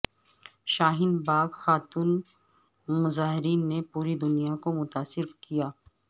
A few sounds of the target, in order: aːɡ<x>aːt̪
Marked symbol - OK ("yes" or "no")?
yes